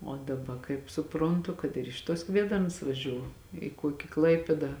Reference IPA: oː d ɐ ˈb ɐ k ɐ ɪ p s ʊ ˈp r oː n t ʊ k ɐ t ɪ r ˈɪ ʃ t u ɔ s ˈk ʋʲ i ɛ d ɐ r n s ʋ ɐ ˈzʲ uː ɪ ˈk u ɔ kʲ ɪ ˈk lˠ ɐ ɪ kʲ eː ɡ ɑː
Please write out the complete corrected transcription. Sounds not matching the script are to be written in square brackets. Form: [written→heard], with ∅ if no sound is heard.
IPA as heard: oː d ɐ ˈb ɐ k ɐ ɪ p s ʊ ˈp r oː n t ʊ k ɐ t ɪ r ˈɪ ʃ t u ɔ s ˈk ʋʲ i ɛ d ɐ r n s ʋ ɐ [ˈzʲ→ˈʒʲ] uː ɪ ˈk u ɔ kʲ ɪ ˈk lˠ ɐ ɪ [kʲ→pʲ] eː [ɡ→d] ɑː